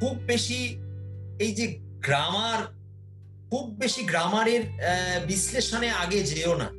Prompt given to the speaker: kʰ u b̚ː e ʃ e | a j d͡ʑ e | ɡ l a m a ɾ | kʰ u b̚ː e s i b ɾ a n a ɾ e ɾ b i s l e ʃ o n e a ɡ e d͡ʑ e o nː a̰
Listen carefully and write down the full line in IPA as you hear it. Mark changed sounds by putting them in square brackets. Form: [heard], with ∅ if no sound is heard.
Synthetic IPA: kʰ u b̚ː e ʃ [i] | [e] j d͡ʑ e | ɡ [ɾ] a m a ɾ | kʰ u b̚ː e [ʃ] i [ɡ] ɾ a [m] a ɾ e ɾ b i s l e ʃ o n e a ɡ e d͡ʑ e o [n] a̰